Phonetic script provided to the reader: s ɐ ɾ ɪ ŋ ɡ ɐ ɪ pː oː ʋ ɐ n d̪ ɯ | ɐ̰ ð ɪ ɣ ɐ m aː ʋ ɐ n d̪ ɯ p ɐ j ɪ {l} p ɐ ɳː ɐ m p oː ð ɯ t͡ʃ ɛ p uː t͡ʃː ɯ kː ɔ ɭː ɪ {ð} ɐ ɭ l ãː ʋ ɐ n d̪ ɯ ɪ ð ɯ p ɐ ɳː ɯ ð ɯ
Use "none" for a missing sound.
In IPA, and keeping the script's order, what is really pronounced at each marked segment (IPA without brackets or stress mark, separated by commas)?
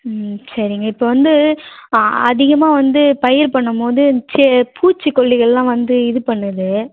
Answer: ɾ, ɣ